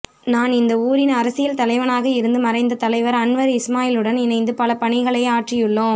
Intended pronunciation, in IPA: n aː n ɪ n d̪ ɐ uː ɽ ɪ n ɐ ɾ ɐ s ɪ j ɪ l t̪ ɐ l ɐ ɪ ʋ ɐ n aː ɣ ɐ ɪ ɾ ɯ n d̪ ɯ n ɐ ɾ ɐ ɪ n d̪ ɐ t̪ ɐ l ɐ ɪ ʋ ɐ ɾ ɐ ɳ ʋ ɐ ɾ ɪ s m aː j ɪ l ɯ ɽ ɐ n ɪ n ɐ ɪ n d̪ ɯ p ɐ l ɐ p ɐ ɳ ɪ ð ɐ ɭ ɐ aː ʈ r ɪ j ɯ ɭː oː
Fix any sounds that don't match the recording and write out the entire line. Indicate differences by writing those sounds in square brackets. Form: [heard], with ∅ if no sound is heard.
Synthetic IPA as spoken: n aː n ɪ n d̪ ɐ uː [ɾ] ɪ n ɐ ɾ ɐ s ɪ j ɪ l t̪ ɐ l ɐ ɪ ʋ ɐ n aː ɣ ɐ ɪ ɾ ɯ n d̪ ɯ [m] ɐ ɾ ɐ ɪ n d̪ ɐ t̪ ɐ l ɐ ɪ ʋ ɐ ɾ ɐ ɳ ʋ ɐ ɾ ɪ s m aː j ɪ l ɯ ɽ ɐ n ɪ n ɐ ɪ n d̪ ɯ p ɐ l ɐ p ɐ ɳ ɪ [ɣ] ɐ ɭ ɐ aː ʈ r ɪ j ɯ ɭː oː